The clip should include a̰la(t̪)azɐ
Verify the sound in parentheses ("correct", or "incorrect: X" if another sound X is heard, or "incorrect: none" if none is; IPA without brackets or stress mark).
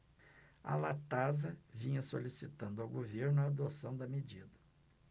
correct